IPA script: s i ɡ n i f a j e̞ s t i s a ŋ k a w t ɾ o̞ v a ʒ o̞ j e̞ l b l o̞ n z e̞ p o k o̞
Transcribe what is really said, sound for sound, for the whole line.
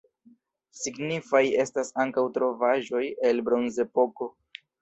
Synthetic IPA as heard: s i ɡ n i f a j e̞ s t a s a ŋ k a w t ɾ o̞ v a ʒ o̞ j e̞ l b ɾ o̞ n z e̞ p o k o̞